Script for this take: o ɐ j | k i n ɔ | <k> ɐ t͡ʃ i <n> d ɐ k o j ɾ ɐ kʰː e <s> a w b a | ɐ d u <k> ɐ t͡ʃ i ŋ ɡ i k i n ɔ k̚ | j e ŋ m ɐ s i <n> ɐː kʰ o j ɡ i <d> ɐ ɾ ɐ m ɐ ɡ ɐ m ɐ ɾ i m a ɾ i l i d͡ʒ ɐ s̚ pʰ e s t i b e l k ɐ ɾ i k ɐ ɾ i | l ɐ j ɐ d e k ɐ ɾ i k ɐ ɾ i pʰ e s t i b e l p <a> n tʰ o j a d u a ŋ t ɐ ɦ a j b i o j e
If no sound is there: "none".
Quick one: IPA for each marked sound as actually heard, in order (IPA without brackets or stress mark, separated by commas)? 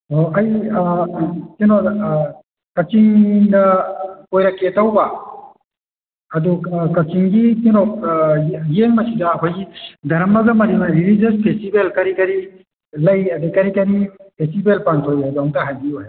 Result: k, ŋ, t, k, d, d, a